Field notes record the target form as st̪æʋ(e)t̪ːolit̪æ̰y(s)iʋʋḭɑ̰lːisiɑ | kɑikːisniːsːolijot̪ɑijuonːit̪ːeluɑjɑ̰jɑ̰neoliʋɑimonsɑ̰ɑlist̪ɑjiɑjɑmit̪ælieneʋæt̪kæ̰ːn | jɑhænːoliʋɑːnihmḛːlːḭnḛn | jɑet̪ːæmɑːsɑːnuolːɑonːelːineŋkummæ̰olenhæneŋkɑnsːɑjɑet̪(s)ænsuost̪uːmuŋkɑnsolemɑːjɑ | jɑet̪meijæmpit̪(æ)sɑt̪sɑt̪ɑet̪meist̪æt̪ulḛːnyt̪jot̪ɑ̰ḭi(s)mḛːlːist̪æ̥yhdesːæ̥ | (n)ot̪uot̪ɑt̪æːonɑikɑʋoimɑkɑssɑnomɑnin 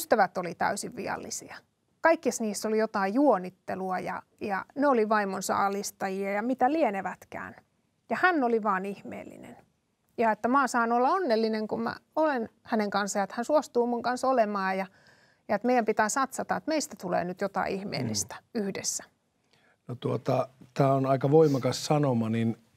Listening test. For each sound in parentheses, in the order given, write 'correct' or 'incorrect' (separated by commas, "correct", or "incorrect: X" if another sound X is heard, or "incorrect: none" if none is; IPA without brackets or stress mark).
incorrect: æ, correct, incorrect: h, incorrect: æː, incorrect: h, correct